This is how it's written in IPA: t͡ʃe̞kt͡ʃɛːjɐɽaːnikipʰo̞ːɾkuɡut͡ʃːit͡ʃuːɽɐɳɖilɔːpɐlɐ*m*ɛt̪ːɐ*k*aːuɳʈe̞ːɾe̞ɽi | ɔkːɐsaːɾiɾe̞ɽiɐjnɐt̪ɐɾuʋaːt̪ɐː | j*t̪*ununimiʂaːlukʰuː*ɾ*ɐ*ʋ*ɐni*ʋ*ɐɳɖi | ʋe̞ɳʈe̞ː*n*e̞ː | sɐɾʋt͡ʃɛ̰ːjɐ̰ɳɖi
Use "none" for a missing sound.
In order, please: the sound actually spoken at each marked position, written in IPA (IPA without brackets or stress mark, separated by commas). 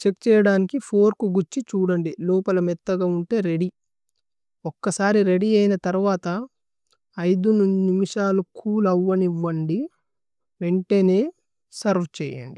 m, ɡ, d̪, l, ʋː, ʋː, n